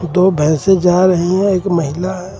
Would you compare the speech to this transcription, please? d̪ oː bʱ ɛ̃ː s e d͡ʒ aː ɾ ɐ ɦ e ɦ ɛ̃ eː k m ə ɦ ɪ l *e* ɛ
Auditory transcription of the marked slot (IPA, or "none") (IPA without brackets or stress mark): a